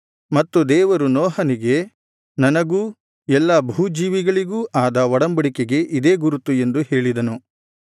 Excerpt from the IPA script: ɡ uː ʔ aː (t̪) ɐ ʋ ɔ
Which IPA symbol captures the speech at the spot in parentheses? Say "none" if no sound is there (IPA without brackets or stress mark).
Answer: d̪